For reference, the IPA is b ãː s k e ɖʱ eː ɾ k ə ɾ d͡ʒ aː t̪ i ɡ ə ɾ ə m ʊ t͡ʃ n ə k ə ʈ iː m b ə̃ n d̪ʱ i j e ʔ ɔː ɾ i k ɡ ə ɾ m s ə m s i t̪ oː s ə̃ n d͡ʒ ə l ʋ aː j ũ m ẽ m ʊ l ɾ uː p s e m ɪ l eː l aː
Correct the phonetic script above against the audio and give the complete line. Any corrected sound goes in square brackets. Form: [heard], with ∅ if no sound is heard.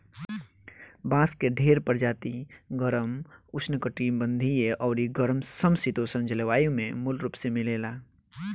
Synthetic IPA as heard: b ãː s k e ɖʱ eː ɾ [p] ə ɾ d͡ʒ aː t̪ i ɡ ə ɾ ə m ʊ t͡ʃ n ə k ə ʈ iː m b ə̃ n d̪ʱ i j e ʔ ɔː ɾ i [∅] ɡ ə ɾ m s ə m s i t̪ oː s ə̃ n d͡ʒ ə l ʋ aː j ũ m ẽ m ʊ l ɾ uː p s e m ɪ l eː l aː

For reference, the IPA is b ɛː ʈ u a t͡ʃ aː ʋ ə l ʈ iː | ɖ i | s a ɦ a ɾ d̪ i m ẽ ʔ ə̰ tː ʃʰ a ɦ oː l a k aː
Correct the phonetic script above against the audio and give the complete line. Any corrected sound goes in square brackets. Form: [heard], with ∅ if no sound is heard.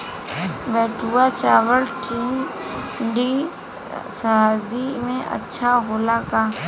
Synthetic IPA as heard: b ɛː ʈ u a t͡ʃ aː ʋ ə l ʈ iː | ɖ i | s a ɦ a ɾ d̪ i m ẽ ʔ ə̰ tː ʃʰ a ɦ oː l a k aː

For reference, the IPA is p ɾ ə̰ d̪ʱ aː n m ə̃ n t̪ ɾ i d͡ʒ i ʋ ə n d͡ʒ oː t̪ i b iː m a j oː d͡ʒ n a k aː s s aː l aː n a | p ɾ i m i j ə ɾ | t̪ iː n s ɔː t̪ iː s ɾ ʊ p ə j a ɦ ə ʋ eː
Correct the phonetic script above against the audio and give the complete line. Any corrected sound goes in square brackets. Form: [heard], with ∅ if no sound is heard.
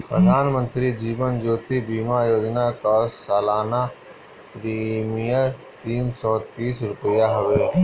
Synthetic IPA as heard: p ɾ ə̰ d̪ʱ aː n m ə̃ n t̪ ɾ i d͡ʒ [iː] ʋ ə n d͡ʒ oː t̪ i b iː m a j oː d͡ʒ n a k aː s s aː l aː n a | p ɾ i m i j ə ɾ | t̪ iː n s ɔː t̪ iː s ɾ ʊ p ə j a ɦ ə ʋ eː

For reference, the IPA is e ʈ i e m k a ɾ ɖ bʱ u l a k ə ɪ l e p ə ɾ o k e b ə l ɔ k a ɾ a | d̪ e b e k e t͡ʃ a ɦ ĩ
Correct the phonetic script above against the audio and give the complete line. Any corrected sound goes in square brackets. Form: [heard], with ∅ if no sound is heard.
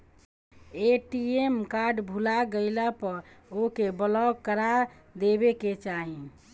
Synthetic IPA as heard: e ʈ i e m k a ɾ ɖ bʱ u l a [ɡ] ə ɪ l [a] p ə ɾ o k e b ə l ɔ k [ə] ɾ a | d̪ e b e k e t͡ʃ a ɦ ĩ

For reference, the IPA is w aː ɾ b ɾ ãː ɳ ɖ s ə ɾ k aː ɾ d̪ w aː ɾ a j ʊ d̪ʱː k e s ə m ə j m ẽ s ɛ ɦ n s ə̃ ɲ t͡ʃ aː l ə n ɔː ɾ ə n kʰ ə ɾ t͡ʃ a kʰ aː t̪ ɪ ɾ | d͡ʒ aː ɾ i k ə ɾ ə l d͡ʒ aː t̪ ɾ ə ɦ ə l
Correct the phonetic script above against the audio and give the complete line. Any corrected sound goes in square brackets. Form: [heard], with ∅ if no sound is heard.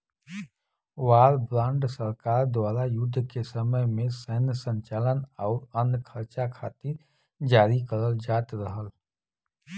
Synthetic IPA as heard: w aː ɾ b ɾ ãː ɳ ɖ s ə ɾ k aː ɾ d̪ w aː ɾ a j ʊ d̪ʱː k e s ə m ə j m ẽ s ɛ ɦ n s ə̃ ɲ t͡ʃ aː l ə n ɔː ɾ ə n kʰ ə ɾ t͡ʃ a kʰ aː t̪ ɪ ɾ | d͡ʒ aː ɾ i k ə ɾ ə l d͡ʒ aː t̪ ɾ ə ɦ ə l

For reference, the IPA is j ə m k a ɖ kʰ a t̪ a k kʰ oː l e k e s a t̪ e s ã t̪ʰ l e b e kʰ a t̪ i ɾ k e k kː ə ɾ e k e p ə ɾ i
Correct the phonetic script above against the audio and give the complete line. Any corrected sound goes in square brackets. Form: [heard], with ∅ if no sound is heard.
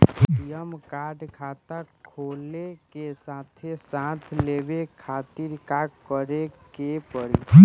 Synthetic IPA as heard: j ə m k a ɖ kʰ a t̪ a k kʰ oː l e k e s a [t̪ʰ] e s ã t̪ʰ l e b e kʰ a t̪ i ɾ k [a] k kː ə ɾ e k e p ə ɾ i

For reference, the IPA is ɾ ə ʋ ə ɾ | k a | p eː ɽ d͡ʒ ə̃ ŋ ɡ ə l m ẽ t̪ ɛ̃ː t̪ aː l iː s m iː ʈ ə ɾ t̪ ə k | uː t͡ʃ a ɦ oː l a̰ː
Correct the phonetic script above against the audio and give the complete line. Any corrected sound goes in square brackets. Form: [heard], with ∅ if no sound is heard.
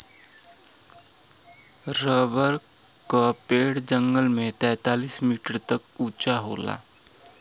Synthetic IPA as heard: ɾ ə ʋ ə ɾ | k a | p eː ɽ d͡ʒ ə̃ ŋ ɡ ə l m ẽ t̪ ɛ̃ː t̪ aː l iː s m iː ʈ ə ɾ t̪ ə k | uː t͡ʃ a ɦ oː l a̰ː

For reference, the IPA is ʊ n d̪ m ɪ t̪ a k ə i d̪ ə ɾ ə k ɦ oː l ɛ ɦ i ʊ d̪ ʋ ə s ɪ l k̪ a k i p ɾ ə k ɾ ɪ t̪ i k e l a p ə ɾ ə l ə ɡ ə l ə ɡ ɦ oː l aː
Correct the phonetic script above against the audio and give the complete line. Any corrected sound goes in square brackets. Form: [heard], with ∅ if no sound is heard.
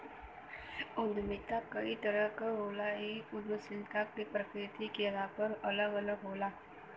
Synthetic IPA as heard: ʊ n d̪ m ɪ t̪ a k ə i [t̪] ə ɾ ə k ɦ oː l [a] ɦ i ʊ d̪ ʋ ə s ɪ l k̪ a k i p ɾ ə k ɾ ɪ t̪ i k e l a p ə ɾ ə l ə ɡ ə l ə ɡ ɦ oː l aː

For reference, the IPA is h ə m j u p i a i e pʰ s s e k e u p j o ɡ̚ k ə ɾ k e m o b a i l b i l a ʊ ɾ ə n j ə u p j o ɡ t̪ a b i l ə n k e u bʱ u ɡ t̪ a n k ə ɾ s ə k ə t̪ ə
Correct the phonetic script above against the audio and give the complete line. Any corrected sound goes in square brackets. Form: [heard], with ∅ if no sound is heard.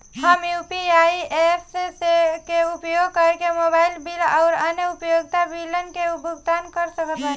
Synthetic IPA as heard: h ə m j u p i a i e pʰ s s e k e u p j o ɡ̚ k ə ɾ k e m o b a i l b i l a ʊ ɾ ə n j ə u p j o ɡ t̪ a b i l ə n k e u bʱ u ɡ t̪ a n k ə ɾ s ə k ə t̪ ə

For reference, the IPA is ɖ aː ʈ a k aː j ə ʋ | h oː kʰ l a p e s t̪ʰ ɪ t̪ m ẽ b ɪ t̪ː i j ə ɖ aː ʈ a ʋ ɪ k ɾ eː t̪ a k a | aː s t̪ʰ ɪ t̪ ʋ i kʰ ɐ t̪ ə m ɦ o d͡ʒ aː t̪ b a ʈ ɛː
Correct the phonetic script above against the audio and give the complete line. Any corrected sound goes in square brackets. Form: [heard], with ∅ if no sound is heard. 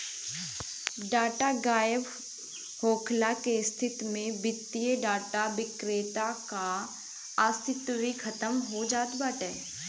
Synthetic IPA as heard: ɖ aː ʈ a [ɡ] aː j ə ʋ | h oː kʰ l a [k] e s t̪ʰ ɪ t̪ m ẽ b ɪ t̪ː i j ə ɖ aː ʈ a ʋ ɪ k ɾ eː t̪ a k a | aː s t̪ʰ ɪ t̪ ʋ i kʰ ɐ t̪ ə m ɦ o d͡ʒ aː t̪ b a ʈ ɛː

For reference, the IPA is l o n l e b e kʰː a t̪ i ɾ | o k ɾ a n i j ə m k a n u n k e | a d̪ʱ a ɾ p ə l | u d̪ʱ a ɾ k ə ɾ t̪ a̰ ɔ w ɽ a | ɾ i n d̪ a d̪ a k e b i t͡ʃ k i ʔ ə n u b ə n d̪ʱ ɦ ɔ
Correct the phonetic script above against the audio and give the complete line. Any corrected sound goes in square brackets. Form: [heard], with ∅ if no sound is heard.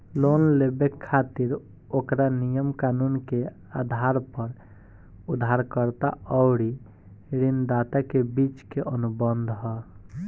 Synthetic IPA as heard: l o n l e b e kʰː a t̪ i ɾ | o k ɾ a n i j ə m k a n u n k e | a d̪ʱ a ɾ p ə [ɾ] | u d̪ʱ a ɾ k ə ɾ t̪ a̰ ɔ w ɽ [i] | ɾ i n d̪ a [t̪] a k e b i t͡ʃ k [e] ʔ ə n u b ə n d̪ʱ ɦ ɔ

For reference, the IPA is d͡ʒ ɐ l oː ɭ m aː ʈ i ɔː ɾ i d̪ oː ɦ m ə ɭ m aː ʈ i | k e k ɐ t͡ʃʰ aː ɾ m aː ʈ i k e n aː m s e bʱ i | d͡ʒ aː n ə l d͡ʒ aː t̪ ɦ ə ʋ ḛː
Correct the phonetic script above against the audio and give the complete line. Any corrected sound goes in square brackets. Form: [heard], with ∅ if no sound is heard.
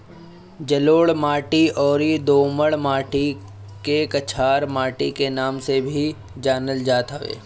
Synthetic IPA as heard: d͡ʒ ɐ l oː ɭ m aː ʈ i ɔː ɾ i d̪ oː [∅] m ə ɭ m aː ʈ i | k e k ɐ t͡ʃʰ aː ɾ m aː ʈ i k e n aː m s e bʱ i | d͡ʒ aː n ə l d͡ʒ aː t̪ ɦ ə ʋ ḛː

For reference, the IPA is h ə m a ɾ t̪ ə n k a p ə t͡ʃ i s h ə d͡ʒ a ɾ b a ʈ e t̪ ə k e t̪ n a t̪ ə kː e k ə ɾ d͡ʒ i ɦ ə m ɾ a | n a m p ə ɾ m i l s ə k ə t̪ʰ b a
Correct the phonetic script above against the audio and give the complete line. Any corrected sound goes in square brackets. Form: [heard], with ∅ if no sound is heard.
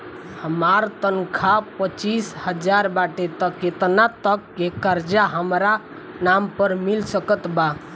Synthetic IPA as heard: h ə m a ɾ t̪ ə n [kʰ] a p ə t͡ʃ i s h ə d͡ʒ a ɾ b a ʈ e t̪ ə k e t̪ n a t̪ ə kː e k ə ɾ d͡ʒ [a] ɦ ə m ɾ a | n a m p ə ɾ m i l s ə k ə [t̪] b a

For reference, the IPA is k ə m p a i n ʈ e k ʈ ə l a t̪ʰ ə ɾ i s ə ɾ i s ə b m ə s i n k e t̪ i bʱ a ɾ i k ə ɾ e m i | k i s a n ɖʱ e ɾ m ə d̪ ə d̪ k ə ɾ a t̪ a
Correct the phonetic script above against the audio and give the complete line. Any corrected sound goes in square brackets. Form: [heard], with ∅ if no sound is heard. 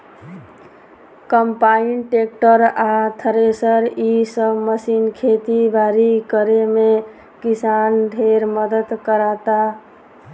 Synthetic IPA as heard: k ə m p a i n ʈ e k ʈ ə [ɾ] a t̪ʰ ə ɾ [e] s ə ɾ i s ə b m ə s i n [kʰ] e t̪ i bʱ a ɾ i k ə ɾ e m [e] | k i s a n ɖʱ e ɾ m ə d̪ ə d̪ k ə ɾ a t̪ a

